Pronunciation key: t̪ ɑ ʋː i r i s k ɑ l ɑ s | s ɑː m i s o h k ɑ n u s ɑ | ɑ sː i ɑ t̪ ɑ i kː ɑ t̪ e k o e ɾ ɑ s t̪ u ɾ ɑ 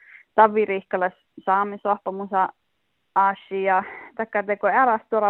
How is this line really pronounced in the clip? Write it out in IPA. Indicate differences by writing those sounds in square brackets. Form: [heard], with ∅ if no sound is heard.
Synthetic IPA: t̪ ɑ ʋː i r i [h] k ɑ l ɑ s | s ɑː m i s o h [p] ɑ [m] u s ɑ | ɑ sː i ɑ t̪ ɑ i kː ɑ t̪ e k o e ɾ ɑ s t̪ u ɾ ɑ